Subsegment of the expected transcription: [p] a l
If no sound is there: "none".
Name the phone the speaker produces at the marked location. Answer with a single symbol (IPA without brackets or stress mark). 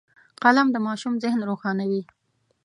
q